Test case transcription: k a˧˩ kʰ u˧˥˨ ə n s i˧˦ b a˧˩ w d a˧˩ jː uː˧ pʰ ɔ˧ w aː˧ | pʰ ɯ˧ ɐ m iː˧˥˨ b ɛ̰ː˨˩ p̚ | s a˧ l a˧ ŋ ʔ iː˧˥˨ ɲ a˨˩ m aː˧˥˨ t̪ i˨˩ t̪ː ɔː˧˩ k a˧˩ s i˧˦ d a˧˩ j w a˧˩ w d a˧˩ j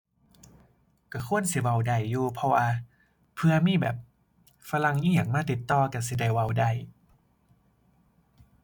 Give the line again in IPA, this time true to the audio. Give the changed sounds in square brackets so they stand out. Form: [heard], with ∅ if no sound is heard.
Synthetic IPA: k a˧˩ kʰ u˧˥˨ ə n s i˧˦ [w] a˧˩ w d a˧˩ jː uː˧ pʰ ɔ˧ w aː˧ | pʰ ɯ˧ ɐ m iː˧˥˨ b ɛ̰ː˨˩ p̚ | [f] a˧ l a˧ ŋ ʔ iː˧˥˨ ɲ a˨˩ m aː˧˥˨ t̪ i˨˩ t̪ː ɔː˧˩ k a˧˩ s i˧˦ d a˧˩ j w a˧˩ w d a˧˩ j